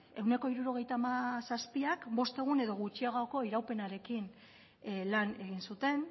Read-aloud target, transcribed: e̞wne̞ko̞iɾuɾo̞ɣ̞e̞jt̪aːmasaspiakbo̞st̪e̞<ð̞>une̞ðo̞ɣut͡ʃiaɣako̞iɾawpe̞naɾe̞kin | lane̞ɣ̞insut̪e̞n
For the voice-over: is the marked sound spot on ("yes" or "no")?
no